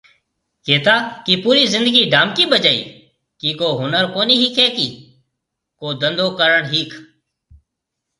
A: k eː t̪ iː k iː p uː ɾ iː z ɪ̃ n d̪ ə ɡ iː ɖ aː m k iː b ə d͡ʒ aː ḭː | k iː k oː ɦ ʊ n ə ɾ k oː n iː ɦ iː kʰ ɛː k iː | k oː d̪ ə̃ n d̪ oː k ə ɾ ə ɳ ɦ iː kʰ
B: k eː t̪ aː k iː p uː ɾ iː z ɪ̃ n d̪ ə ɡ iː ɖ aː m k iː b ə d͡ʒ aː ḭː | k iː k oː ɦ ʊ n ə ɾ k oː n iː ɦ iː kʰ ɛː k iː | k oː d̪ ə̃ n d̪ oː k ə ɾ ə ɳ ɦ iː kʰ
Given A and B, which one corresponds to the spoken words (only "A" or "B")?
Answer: B